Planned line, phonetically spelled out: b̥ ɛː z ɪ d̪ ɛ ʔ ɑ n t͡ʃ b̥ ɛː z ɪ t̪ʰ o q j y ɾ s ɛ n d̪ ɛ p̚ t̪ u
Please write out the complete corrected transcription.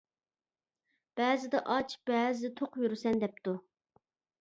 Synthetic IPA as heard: b̥ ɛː z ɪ d̪ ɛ ʔ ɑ t͡ʃ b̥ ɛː z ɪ t̪ʰ o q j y ɾ s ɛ n d̪ ɛ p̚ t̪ u